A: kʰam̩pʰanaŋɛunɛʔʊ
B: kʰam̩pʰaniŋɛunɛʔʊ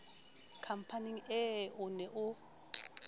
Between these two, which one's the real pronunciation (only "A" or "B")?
B